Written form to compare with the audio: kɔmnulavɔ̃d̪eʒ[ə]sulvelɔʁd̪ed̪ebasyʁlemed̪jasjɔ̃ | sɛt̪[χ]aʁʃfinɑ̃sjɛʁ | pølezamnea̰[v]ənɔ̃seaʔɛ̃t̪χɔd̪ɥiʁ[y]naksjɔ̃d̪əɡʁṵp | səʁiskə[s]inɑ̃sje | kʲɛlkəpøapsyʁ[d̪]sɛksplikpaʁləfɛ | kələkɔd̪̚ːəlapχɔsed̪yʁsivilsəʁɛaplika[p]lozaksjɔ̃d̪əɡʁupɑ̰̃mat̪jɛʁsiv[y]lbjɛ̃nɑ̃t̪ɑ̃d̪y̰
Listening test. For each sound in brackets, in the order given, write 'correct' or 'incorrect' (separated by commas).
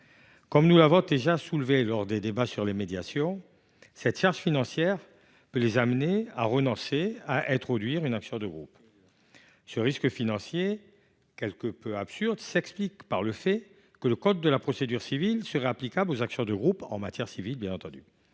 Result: incorrect, incorrect, incorrect, correct, incorrect, correct, incorrect, incorrect